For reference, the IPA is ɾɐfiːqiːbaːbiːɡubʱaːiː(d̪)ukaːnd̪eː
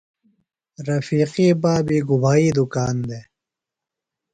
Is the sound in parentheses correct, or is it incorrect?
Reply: correct